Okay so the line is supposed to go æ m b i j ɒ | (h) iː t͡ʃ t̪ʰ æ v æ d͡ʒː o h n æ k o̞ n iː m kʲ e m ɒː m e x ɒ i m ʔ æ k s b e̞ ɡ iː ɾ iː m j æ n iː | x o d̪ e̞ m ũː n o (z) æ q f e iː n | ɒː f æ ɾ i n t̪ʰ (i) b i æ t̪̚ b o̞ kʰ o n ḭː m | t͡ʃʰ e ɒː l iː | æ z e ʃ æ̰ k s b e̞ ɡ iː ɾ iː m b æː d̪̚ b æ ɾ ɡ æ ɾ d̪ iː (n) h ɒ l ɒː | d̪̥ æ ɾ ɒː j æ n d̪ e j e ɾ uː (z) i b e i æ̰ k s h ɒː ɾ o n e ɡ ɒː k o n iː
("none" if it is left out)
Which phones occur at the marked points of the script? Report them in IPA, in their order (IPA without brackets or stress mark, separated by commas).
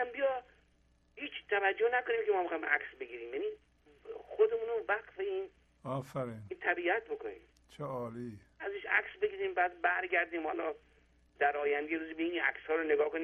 h, v, æ, m, z